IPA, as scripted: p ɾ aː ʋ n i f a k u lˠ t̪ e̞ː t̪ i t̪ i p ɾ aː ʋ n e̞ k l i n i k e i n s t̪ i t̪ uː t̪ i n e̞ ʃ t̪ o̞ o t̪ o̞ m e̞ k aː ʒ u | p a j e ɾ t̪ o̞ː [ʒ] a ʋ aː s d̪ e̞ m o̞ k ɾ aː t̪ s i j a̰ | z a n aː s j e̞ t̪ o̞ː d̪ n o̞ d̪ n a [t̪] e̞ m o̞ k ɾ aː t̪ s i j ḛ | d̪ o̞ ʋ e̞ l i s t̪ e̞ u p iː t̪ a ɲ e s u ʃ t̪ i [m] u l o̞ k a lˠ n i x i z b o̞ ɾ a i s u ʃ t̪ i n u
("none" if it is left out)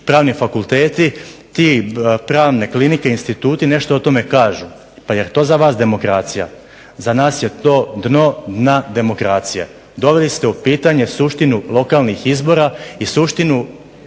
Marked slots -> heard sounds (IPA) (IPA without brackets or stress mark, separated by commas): z, d̪, n